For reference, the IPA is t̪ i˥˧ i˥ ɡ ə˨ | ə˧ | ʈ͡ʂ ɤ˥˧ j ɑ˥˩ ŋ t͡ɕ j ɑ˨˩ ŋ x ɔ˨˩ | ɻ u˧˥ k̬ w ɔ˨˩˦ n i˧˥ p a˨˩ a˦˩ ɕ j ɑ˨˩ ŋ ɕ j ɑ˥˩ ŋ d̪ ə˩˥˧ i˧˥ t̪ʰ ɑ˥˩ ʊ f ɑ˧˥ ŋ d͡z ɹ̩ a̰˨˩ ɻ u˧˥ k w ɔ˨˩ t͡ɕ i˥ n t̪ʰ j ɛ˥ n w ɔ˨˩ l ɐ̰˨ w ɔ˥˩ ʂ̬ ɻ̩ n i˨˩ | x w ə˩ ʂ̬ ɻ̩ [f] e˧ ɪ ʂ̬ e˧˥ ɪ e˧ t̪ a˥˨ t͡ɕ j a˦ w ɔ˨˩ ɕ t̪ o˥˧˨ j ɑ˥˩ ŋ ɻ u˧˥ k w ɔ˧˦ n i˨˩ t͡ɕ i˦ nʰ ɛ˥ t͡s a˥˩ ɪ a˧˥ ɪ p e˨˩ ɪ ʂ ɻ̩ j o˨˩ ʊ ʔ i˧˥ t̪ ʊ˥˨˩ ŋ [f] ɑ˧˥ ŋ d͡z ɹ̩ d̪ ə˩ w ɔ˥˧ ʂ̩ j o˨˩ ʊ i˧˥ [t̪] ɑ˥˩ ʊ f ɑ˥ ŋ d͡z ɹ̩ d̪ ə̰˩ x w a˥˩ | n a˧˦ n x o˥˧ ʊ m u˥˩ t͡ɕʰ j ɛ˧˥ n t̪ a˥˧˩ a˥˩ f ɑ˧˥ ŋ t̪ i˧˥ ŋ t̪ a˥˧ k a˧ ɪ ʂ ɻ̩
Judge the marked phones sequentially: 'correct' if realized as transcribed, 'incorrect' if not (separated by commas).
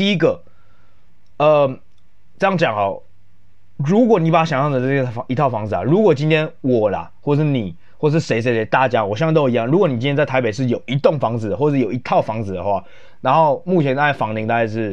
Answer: incorrect, correct, incorrect